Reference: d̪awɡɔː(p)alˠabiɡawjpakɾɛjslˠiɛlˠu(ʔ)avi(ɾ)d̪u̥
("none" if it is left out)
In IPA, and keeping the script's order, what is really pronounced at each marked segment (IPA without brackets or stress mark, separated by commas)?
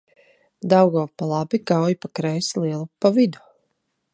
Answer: p, p, none